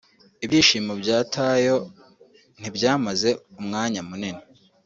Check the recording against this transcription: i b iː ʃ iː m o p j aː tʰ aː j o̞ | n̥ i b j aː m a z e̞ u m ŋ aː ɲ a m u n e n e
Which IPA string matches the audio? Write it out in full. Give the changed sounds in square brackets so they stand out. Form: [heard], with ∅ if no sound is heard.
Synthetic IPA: i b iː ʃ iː m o [b] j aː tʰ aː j o̞ | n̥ i b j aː m a z e̞ u m ŋ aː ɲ a m u n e n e